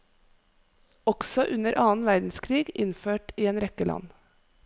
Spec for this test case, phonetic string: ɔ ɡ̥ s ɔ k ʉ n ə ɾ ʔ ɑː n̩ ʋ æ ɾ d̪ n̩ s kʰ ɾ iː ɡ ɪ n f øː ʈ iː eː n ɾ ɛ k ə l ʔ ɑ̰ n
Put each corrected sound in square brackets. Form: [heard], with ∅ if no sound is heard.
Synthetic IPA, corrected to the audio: ɔ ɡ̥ s ɔ [ʔ] ʉ n ə ɾ ʔ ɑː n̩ ʋ æ ɾ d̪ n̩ s kʰ ɾ iː ɡ ɪ n f øː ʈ iː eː n ɾ ɛ k ə l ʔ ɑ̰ n

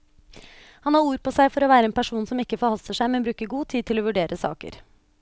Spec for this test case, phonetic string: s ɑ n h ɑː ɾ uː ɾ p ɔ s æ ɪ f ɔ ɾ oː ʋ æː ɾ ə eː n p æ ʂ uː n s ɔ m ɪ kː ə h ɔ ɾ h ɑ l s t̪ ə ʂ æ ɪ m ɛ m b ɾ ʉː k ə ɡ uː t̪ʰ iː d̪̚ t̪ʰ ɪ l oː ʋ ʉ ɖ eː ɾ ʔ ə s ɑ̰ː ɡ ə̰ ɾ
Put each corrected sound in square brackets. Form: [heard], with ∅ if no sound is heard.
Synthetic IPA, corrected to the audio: [h] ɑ n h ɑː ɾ uː ɾ p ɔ s æ ɪ f ɔ ɾ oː ʋ æː ɾ ə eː n p æ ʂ uː n s ɔ m ɪ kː ə [f] ɔ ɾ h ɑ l s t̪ ə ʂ æ ɪ m ɛ [n] b ɾ ʉː k ə ɡ uː t̪ʰ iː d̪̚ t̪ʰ ɪ l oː ʋ ʉ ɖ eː ɾ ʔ ə s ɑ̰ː [k] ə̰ ɾ

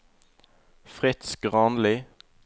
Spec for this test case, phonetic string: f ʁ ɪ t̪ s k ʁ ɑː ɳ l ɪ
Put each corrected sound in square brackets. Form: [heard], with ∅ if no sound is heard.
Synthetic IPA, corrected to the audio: f ʁ ɪ t̪ s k ʁ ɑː [n] l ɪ

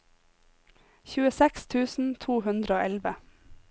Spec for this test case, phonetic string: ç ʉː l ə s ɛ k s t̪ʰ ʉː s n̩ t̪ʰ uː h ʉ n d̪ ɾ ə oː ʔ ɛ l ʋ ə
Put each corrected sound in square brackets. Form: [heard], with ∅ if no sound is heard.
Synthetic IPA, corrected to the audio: ç ʉː [∅] ə s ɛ k s t̪ʰ ʉː s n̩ t̪ʰ uː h ʉ n d̪ ɾ ə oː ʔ ɛ l ʋ ə

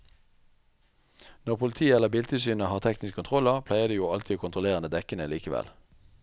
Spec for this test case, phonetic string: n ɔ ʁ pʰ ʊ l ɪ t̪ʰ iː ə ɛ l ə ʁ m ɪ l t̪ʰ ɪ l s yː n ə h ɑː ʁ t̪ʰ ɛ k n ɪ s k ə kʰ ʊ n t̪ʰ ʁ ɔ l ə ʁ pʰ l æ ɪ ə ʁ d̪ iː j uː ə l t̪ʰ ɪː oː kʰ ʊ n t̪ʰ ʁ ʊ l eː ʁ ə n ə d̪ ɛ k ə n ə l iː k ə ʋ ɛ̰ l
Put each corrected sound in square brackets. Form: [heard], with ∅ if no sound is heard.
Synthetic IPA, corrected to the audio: n ɔ ʁ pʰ ʊ l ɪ t̪ʰ iː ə ɛ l ə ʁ [b] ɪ l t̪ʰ ɪ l s yː n ə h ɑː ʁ t̪ʰ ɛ k n ɪ s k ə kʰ ʊ n t̪ʰ ʁ ɔ l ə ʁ pʰ l æ ɪ ə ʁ d̪ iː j uː [ɑ] l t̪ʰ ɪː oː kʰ ʊ n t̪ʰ ʁ ʊ l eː ʁ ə n ə d̪ ɛ k ə n ə l iː k ə ʋ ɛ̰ l

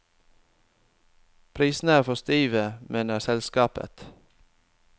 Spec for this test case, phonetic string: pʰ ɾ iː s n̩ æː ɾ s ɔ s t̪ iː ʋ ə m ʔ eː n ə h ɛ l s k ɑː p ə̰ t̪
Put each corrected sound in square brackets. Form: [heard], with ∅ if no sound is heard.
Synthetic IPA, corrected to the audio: pʰ ɾ iː s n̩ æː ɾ [f] ɔ s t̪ iː ʋ ə m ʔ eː n ə [s] ɛ l s k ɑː p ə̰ t̪

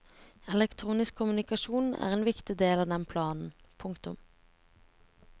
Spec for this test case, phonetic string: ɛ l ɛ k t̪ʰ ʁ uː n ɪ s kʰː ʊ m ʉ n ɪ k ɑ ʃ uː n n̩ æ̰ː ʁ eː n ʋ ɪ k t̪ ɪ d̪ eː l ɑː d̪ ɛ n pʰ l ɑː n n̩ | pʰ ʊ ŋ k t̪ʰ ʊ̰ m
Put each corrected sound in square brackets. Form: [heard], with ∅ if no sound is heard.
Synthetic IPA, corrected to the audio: ɛ l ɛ k t̪ʰ ʁ uː n ɪ s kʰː ʊ m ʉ n ɪ k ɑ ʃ uː n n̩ æ̰ː ʁ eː n ʋ ɪ k t̪ ɪ d̪ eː l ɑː d̪ ɛ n pʰ l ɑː n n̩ | pʰ ʊ ŋ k [t̪] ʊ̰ m

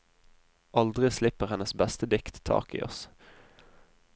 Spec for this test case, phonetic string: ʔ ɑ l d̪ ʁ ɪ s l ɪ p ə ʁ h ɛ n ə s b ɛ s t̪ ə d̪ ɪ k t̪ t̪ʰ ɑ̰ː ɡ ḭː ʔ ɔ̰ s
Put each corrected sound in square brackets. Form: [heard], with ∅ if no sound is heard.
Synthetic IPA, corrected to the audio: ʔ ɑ l d̪ ʁ ɪ s l ɪ p ə ʁ h ɛ n ə s b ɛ s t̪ ə d̪ ɪ k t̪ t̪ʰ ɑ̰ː [k] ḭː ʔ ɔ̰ s

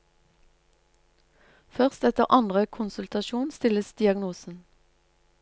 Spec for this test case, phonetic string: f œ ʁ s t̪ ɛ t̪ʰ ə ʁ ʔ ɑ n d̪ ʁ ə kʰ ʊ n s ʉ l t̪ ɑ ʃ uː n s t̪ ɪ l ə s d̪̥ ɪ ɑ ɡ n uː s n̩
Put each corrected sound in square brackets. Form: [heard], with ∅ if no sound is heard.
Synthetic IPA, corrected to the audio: f œ ʁ s t̪ ɛ [t̪] ə ʁ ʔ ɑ n d̪ ʁ ə kʰ ʊ n s ʉ l t̪ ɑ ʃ uː n s t̪ ɪ l ə s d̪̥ ɪ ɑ ɡ n uː s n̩

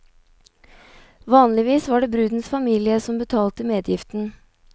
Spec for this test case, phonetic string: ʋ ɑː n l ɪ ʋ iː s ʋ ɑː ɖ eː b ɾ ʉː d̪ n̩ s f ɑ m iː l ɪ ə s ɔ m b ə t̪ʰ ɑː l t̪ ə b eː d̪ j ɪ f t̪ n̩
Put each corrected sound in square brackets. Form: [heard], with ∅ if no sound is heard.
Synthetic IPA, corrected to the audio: ʋ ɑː n l ɪ ʋ iː s ʋ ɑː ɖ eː b ɾ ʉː d̪ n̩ s f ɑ m iː l ɪ ə s ɔ m b ə t̪ʰ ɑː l t̪ ə [m] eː d̪ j ɪ f t̪ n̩

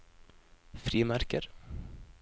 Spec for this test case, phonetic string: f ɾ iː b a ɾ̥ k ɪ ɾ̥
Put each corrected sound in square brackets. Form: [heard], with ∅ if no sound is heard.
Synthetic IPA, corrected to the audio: f ɾ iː [m] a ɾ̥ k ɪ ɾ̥

